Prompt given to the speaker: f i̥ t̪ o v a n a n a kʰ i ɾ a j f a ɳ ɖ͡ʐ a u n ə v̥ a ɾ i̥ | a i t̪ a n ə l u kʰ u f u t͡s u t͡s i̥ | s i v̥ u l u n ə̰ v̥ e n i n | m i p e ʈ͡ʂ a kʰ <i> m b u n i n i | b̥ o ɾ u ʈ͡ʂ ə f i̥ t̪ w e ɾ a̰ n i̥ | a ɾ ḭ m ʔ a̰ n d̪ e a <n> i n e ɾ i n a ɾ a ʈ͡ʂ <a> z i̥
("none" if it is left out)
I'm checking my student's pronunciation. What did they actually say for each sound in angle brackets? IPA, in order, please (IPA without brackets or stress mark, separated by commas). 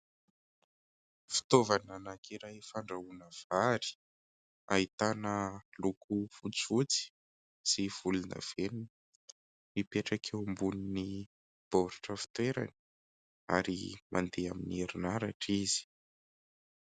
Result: e, m, i